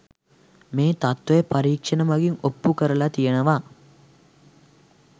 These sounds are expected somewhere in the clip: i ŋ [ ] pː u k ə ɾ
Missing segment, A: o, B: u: A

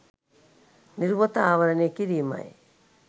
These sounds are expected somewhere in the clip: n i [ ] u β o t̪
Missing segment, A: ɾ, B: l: A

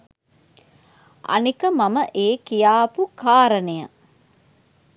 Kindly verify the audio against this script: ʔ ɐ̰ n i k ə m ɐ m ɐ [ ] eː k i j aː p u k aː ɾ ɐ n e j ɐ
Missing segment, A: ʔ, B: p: A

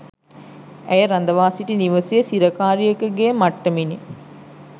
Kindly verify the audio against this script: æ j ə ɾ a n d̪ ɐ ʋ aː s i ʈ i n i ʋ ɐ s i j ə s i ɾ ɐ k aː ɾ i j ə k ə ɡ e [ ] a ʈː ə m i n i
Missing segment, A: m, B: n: A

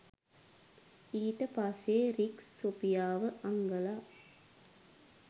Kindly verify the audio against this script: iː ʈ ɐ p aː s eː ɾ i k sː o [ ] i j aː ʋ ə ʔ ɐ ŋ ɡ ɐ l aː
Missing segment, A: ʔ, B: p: B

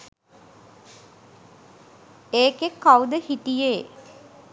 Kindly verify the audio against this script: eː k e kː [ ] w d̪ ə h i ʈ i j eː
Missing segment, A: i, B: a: B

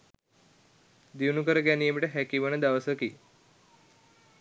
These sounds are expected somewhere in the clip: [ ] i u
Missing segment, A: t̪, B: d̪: B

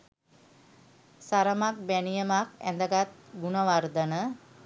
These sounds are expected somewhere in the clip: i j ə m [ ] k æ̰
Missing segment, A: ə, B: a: B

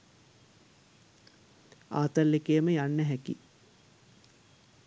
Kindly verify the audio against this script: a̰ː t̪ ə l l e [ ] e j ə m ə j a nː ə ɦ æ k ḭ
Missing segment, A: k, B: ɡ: A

